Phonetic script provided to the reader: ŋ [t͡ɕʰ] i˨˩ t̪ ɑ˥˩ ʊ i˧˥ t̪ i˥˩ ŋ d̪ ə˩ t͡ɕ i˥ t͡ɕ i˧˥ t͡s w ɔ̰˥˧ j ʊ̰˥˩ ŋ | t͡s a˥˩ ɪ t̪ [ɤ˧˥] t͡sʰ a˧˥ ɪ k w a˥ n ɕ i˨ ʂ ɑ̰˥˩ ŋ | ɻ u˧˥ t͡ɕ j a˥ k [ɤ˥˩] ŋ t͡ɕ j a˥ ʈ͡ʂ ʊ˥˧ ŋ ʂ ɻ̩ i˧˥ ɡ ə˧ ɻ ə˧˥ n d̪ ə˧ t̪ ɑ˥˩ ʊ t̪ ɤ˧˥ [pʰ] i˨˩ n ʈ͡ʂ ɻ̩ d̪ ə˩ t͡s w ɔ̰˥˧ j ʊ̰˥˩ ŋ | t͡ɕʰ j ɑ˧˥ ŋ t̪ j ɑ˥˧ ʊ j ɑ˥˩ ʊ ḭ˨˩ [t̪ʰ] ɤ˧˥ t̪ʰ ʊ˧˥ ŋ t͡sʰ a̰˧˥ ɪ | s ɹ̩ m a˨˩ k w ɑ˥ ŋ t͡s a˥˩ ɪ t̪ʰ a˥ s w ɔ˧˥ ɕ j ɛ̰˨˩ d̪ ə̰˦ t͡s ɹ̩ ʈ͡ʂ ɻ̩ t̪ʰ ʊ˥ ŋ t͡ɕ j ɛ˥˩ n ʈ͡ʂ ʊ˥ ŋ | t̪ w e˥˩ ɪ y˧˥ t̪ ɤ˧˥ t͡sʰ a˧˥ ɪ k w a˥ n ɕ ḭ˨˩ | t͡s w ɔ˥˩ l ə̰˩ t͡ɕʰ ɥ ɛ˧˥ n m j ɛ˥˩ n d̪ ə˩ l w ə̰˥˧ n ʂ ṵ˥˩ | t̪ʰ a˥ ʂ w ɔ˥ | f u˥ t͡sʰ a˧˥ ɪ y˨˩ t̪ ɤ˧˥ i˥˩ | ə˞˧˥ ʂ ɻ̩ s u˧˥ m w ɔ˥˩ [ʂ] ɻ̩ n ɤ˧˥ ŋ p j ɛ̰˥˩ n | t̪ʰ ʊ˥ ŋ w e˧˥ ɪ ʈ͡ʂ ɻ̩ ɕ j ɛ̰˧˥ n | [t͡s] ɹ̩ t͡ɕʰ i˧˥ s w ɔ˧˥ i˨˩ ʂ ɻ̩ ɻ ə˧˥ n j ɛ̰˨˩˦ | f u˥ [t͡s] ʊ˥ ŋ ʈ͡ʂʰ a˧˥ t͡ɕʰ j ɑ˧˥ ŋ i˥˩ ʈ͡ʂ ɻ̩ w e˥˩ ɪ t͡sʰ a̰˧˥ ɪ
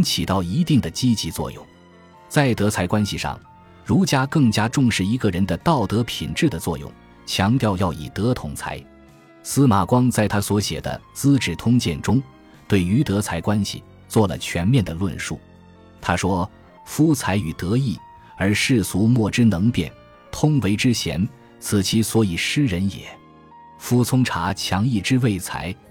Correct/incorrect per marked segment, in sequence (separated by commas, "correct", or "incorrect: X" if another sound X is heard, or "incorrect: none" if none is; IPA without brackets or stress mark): correct, correct, correct, correct, incorrect: t̪, incorrect: ʈ͡ʂ, incorrect: t͡sʰ, incorrect: t͡sʰ